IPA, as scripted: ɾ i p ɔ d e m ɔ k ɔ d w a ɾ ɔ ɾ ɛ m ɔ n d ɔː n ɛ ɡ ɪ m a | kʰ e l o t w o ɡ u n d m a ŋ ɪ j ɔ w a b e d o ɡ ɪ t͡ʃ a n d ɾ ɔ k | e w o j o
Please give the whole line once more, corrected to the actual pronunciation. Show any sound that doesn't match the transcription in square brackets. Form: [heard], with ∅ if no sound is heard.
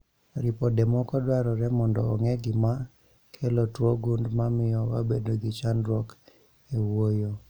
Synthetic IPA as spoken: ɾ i p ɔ d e m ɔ k ɔ d w a ɾ ɔ ɾ ɛ m ɔ n d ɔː [ŋ] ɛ ɡ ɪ m a | kʰ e l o t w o ɡ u n d m a [m] ɪ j ɔ w a b e d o ɡ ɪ t͡ʃ a n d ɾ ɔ k | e w o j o